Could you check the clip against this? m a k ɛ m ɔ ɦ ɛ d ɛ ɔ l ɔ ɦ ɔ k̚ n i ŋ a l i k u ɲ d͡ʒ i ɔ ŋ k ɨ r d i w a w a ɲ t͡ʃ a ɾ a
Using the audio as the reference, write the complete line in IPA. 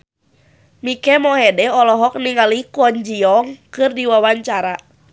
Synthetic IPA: m i k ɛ m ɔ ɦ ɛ d ɛ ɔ l ɔ ɦ ɔ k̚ n i ŋ a l i k ɔ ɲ d͡ʒ i ɔ ŋ k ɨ r d i w a w a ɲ t͡ʃ a ɾ a